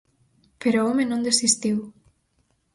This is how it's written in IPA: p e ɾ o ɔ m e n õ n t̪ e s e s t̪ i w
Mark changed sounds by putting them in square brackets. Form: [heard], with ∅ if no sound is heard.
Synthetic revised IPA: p e ɾ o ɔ m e n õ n [d̪] e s [i] s t̪ i w